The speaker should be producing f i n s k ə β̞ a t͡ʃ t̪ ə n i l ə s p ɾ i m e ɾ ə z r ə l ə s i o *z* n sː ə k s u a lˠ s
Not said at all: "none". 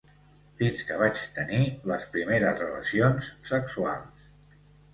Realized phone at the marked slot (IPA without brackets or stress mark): none